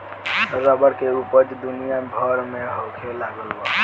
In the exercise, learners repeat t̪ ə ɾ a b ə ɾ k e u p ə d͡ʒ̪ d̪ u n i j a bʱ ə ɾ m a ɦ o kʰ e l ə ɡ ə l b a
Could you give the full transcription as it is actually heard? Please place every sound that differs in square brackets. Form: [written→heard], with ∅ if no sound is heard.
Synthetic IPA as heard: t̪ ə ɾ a b ə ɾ k e u p ə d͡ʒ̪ d̪ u n i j a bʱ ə ɾ m [a→e] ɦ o kʰ e l [ə→a] ɡ ə l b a